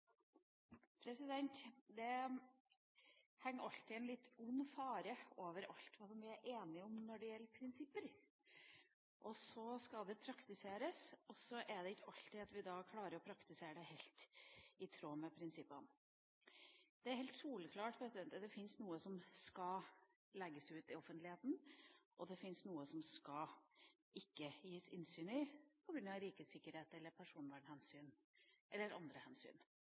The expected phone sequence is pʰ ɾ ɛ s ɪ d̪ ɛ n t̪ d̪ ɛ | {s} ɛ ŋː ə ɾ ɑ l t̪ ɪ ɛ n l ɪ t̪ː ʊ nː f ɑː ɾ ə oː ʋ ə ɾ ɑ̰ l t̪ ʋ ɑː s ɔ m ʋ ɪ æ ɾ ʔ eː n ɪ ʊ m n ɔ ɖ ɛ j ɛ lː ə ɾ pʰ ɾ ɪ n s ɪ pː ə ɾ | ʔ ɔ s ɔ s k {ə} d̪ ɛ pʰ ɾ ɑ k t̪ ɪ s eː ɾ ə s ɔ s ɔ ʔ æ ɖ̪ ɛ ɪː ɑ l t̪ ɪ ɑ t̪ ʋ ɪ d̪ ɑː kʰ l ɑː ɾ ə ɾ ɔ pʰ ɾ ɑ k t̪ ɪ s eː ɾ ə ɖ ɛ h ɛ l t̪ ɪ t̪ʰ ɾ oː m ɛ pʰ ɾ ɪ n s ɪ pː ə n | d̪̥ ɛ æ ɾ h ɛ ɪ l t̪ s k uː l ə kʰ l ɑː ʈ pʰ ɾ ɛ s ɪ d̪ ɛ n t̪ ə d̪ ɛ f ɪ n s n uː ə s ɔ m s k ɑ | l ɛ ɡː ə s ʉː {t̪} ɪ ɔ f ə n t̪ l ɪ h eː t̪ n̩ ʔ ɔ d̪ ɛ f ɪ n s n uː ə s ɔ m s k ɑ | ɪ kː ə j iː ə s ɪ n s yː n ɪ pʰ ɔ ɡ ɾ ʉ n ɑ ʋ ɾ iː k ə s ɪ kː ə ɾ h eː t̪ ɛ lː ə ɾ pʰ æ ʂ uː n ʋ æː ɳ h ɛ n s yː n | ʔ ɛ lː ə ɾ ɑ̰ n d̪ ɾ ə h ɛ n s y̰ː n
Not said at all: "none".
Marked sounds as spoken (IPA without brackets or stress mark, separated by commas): h, ɑ, t̪